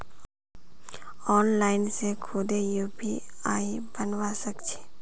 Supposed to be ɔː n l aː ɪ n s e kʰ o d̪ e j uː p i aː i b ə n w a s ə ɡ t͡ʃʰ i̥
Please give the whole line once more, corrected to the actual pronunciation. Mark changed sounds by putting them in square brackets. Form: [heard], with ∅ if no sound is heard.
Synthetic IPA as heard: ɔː n l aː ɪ n s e kʰ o d̪ e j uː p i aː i b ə n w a s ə [k] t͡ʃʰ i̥

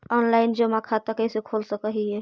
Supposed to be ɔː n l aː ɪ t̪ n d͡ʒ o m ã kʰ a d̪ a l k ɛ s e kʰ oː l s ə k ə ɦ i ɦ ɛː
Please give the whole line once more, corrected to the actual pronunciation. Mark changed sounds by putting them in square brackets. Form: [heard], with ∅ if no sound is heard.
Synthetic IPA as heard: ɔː n l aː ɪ [∅] n d͡ʒ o m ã kʰ a [t̪] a [∅] k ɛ s e kʰ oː l s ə k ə ɦ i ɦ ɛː

